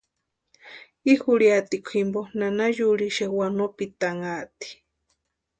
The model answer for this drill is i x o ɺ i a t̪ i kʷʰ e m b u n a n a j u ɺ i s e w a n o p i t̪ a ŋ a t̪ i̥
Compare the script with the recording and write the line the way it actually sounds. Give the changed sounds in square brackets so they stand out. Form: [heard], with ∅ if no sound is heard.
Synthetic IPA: i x [u] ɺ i a t̪ i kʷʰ [i] m b [o] n a n a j u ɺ i [ʃ] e w a n o p i t̪ a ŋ a t̪ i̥